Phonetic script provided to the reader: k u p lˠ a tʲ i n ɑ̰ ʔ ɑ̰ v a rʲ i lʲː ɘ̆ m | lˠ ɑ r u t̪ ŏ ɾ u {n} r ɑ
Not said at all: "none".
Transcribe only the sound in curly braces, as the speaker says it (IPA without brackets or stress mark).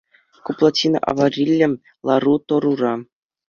none